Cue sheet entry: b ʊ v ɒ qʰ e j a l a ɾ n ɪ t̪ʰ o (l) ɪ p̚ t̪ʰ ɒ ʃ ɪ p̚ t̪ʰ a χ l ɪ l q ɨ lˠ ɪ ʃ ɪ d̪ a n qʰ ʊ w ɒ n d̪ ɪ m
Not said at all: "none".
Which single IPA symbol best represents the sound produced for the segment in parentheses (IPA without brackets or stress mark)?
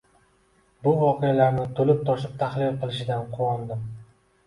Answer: l